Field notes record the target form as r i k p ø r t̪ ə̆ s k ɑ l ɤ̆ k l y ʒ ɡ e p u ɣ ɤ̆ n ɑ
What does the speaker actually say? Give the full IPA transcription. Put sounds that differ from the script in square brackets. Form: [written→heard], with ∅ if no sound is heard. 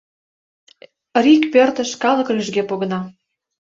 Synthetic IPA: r i k p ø r t̪ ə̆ [s→ʃ] k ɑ l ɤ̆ k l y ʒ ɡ e p [u→o] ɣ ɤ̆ n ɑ